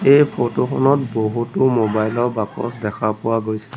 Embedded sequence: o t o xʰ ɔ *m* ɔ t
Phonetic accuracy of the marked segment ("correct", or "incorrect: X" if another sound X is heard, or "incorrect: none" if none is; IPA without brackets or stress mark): incorrect: n